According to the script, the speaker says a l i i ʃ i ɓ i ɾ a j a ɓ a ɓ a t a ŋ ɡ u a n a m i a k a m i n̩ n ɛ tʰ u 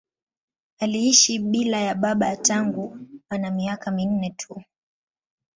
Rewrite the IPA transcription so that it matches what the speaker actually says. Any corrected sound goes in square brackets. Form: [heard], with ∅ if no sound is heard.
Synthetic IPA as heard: a l i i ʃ i ɓ i [l] a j a ɓ a ɓ a t a ŋ ɡ u a n a m i a k a m i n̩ n ɛ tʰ u